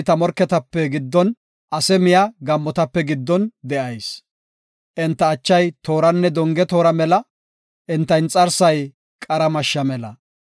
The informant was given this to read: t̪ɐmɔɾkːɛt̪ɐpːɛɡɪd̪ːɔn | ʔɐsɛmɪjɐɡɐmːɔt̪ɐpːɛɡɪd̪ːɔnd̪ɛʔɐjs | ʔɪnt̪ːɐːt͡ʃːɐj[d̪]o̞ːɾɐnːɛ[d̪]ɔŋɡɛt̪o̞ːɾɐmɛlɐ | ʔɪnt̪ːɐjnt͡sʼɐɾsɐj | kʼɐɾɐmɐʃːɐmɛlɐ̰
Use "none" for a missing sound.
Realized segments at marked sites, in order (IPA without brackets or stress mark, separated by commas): t̪, d̪